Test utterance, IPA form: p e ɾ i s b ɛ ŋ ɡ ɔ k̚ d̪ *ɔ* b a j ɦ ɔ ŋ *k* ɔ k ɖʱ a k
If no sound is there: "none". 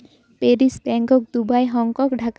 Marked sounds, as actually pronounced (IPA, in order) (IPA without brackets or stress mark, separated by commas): u, k